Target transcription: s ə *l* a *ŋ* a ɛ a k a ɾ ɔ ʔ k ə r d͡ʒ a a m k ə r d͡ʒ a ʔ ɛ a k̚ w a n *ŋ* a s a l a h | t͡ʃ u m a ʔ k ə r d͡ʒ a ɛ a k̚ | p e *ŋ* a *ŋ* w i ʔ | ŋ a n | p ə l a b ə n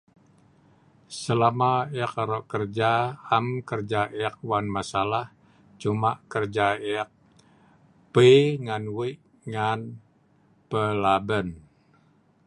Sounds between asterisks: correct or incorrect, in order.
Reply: correct, incorrect: m, incorrect: m, correct, incorrect: n

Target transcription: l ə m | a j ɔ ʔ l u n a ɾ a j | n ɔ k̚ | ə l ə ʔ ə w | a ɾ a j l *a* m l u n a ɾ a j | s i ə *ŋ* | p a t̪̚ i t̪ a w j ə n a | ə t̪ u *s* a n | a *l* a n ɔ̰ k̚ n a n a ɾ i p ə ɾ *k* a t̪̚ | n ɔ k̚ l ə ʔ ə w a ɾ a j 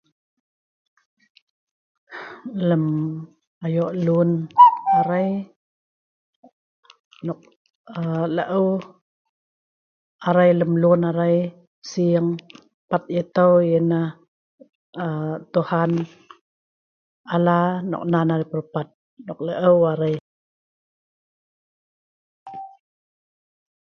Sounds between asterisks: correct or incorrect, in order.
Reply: incorrect: ə, correct, incorrect: h, correct, incorrect: p

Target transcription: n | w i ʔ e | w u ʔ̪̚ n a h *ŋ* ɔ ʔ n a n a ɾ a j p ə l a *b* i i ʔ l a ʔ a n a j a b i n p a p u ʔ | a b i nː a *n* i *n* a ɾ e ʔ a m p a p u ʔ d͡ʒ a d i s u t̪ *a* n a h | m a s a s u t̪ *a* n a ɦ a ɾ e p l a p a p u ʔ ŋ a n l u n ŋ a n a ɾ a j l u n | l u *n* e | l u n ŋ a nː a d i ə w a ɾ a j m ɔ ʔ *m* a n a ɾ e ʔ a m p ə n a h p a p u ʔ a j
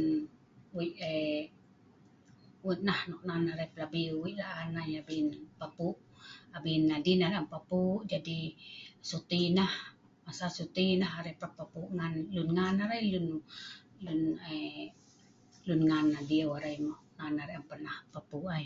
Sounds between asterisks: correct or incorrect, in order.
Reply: incorrect: n, correct, incorrect: d, correct, incorrect: i, incorrect: i, correct, incorrect: n

